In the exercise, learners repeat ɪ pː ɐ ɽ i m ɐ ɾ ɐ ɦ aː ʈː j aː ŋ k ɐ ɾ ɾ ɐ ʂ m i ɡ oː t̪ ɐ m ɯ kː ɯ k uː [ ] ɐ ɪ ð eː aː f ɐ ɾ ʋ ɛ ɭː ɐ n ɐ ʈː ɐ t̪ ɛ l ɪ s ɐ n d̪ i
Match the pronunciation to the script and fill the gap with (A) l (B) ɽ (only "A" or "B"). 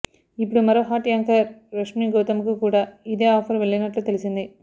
B